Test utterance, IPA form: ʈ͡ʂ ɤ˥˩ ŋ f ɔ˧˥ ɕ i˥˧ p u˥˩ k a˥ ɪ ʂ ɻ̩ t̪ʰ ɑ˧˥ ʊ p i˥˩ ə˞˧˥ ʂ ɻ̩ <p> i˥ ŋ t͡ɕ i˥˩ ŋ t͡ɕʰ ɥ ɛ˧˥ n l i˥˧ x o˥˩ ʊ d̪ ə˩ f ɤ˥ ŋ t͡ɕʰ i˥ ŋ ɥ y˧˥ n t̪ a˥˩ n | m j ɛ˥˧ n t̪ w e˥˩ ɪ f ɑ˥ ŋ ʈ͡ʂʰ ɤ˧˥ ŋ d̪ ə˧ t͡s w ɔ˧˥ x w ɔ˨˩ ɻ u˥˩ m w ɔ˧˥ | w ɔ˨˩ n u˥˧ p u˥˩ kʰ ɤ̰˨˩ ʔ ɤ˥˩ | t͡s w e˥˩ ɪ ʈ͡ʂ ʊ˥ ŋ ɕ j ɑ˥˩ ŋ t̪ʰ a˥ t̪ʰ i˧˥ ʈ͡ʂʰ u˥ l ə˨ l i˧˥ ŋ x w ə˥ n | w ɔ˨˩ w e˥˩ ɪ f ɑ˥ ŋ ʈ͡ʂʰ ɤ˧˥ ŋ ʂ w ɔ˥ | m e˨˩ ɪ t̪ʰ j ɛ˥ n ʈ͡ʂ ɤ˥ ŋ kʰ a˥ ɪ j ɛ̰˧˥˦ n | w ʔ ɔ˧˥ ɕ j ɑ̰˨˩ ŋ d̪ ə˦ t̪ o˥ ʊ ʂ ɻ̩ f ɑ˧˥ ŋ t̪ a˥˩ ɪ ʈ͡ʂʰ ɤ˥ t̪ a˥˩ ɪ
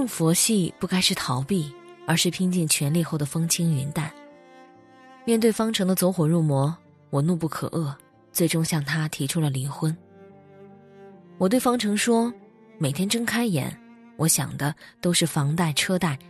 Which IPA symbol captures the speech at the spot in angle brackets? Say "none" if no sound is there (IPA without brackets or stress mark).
pʰ